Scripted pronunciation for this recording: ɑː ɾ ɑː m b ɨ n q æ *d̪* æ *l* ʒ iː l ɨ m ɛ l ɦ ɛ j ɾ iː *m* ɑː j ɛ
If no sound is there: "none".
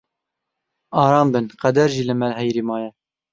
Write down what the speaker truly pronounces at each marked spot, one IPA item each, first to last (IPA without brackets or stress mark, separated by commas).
d̪, ɾ, m